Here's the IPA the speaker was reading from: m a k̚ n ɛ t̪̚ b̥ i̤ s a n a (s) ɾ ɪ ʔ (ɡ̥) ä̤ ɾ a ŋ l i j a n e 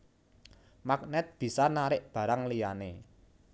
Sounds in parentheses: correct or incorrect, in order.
incorrect: none, incorrect: b̥

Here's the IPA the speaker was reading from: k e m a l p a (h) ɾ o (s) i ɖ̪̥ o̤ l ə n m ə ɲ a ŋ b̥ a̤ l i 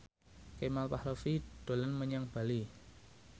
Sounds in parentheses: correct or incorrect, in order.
correct, incorrect: f

